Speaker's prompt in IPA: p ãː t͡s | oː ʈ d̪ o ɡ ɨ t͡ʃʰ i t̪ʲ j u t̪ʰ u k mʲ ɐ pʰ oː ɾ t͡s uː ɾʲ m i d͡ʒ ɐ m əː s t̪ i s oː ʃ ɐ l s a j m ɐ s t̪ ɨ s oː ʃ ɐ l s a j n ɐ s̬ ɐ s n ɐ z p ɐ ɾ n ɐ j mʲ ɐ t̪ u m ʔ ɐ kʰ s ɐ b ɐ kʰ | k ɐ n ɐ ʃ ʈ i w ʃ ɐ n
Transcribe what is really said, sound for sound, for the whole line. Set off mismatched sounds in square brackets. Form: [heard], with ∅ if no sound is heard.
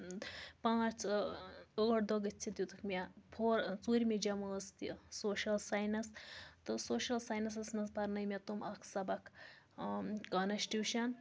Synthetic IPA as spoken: p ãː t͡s | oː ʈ d̪ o ɡ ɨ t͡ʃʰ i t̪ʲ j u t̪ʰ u k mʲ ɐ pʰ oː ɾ t͡s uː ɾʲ m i d͡ʒ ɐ m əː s t̪ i s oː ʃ ɐ l s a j [n] ɐ s t̪ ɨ s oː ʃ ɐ l s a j n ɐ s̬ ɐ s n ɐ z p ɐ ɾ n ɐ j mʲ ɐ t̪ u m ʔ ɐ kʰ s ɐ b ɐ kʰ | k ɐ n ɐ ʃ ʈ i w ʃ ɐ n